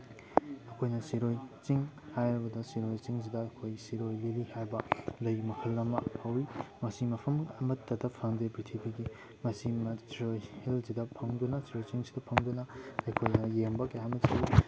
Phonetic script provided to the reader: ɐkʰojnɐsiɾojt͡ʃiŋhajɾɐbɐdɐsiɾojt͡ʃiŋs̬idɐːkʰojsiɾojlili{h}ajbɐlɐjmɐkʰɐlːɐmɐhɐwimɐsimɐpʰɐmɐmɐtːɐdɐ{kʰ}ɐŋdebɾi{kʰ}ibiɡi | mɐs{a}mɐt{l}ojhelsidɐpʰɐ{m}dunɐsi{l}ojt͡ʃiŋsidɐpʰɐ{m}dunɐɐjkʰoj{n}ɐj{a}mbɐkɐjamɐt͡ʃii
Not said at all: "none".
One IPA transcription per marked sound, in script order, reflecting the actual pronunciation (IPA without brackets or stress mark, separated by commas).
h, pʰ, tʰ, i, ɾ, ŋ, ɾ, ŋ, n, e